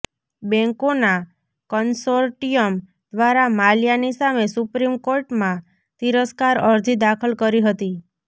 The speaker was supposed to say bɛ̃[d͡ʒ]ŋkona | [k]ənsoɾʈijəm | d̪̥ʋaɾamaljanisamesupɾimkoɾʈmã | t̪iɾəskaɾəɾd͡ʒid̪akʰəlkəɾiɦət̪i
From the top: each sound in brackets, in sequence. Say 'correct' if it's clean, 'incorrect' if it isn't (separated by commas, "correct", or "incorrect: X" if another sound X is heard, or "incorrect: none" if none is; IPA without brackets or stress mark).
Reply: incorrect: none, correct